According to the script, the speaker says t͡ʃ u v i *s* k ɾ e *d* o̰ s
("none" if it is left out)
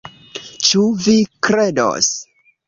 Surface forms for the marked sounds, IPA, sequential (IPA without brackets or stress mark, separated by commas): none, d